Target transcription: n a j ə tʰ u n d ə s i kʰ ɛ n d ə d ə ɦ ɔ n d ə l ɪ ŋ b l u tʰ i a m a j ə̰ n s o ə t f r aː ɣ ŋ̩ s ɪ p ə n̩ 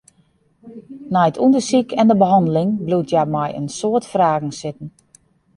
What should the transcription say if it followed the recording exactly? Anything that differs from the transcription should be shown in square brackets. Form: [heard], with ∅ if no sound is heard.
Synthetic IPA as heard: n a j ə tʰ u n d ə s i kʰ ɛ n d ə [b] ə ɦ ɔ n d ə l ɪ ŋ b l u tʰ [j] a m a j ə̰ n s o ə t f r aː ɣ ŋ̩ s ɪ [t] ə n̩